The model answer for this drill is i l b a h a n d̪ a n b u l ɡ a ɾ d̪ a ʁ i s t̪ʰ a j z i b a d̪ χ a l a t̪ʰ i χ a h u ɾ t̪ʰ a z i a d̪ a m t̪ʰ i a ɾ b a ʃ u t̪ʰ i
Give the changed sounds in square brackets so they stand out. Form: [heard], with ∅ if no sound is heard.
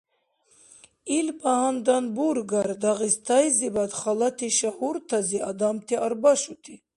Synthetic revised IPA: i l b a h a n d̪ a n b u [ɾ] ɡ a ɾ d̪ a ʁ i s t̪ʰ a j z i b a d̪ χ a l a t̪ʰ i [ʃ] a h u ɾ t̪ʰ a z i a d̪ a m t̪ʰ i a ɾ b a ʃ u t̪ʰ i